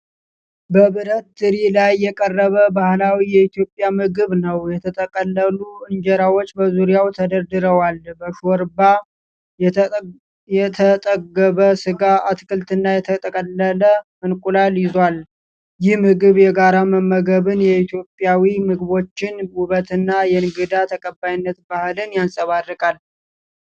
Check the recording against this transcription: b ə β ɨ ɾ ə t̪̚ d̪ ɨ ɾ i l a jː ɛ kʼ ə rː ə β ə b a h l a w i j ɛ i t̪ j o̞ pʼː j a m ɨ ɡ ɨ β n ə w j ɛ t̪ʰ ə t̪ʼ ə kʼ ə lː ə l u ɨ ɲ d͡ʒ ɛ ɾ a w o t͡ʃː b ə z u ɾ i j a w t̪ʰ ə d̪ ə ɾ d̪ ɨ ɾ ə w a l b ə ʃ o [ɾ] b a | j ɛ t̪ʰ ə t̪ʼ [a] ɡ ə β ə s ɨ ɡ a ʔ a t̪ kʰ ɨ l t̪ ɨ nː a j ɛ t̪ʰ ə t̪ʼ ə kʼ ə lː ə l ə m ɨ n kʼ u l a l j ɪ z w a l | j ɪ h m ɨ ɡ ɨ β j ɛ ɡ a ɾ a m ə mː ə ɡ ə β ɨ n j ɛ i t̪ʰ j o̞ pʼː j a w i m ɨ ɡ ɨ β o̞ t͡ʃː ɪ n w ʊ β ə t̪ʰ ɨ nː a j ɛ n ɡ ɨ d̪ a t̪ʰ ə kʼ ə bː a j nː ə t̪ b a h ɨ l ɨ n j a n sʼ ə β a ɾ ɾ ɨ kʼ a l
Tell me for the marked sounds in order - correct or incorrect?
correct, incorrect: ə

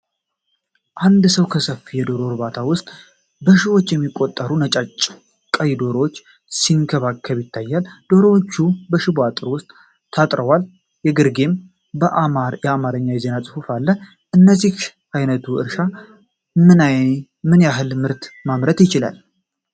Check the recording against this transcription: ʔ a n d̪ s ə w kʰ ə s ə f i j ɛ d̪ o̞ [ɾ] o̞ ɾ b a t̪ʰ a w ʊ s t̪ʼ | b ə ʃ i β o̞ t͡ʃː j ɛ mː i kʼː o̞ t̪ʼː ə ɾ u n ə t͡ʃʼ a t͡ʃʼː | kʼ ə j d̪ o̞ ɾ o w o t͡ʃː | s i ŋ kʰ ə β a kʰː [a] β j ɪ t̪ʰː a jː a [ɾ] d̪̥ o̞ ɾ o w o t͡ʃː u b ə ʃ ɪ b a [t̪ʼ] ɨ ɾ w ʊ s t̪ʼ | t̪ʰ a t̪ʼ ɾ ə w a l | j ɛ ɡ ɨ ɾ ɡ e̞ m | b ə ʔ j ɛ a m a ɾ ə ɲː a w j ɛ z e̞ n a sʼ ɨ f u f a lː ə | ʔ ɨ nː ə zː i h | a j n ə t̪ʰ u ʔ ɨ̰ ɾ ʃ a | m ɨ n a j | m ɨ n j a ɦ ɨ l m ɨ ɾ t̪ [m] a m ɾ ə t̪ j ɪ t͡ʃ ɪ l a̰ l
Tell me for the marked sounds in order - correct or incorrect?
correct, incorrect: ə, incorrect: l, correct, correct

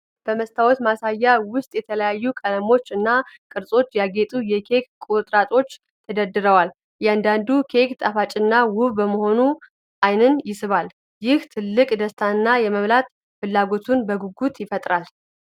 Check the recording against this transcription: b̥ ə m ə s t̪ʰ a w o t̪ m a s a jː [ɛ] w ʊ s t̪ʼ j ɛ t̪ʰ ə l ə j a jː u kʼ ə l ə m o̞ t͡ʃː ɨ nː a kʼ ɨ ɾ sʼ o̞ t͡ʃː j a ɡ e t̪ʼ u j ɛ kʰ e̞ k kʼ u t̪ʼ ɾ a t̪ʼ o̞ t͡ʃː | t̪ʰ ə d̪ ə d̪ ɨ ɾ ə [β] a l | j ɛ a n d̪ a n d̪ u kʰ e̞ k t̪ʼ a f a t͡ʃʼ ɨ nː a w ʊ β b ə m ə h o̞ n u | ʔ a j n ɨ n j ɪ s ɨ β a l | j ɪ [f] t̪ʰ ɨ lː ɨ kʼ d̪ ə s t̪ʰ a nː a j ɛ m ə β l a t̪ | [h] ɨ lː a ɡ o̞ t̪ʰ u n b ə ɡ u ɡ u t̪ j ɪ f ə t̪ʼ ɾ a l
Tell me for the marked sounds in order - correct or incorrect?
incorrect: a, incorrect: w, incorrect: h, incorrect: f

